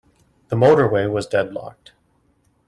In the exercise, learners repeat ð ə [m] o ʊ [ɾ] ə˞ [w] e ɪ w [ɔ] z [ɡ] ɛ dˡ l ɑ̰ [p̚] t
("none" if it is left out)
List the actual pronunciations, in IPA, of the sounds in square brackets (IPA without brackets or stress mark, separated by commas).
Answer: m, ɾ, w, ʌ, d, k̚